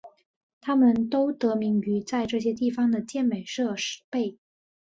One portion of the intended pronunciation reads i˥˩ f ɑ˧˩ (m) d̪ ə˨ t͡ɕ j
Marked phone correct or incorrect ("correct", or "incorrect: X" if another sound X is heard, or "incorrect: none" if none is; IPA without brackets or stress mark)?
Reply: incorrect: ŋ